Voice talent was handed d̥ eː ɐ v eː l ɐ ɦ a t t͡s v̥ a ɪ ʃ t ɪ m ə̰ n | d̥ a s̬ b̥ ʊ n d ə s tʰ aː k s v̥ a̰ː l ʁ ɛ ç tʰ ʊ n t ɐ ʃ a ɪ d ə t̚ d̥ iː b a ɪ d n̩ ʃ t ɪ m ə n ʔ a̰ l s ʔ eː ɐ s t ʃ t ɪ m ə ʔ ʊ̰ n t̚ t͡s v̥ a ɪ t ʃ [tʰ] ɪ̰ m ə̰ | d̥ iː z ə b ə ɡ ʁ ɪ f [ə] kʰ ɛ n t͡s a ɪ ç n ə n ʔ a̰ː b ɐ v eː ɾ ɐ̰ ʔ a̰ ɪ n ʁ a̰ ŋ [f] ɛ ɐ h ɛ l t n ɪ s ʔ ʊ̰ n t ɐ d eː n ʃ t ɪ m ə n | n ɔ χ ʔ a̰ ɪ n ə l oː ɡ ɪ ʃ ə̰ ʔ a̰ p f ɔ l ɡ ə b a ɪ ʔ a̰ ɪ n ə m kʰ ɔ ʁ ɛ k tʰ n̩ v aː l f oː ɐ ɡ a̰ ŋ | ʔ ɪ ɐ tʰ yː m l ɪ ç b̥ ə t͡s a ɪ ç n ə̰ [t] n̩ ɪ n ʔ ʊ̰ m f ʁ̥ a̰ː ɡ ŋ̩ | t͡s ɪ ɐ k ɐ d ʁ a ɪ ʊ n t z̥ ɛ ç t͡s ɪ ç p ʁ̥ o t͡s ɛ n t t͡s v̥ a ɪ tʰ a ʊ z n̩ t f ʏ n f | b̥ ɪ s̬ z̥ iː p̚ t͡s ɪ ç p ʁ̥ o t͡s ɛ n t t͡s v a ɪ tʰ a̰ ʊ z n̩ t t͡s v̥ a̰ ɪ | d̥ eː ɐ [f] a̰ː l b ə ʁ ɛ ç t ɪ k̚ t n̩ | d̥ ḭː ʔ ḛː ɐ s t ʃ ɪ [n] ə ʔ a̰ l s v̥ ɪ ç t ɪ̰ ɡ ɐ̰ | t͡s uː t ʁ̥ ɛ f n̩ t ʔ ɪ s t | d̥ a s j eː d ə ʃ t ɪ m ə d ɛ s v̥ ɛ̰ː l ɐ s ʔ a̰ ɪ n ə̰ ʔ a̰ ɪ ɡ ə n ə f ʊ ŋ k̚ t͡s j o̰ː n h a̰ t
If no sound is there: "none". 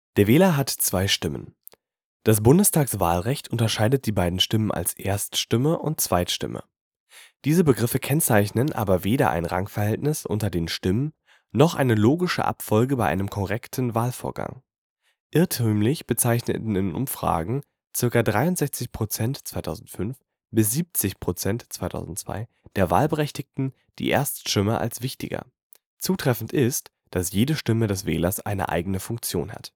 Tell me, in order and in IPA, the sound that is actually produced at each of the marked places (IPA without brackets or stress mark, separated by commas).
t, ə, f, t, v, m